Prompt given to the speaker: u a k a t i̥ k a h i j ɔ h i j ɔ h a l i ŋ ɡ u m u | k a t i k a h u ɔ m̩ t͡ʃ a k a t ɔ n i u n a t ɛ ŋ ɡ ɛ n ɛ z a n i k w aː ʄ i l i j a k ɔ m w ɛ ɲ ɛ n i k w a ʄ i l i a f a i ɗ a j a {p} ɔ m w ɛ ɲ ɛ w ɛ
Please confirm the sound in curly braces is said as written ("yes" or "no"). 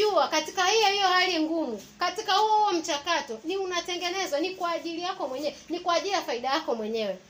no